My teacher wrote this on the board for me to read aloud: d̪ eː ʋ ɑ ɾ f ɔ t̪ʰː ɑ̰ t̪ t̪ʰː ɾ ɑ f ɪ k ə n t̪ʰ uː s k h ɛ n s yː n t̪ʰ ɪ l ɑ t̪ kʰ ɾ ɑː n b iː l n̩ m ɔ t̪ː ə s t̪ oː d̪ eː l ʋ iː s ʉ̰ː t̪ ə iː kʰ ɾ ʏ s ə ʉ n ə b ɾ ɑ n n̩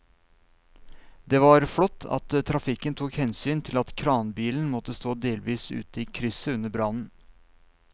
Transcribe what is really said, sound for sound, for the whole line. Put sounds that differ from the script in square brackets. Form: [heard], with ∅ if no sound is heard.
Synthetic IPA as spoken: d̪ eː ʋ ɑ ɾ f ɔ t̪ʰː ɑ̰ t̪ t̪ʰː ɾ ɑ f ɪ k ə n t̪ʰ uː [∅] k h ɛ n s yː n t̪ʰ ɪ l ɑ t̪ kʰ ɾ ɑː n b iː l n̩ m ɔ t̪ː ə s t̪ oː d̪ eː l ʋ iː s ʉ̰ː t̪ ə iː kʰ ɾ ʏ s ə ʉ n ə b ɾ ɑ n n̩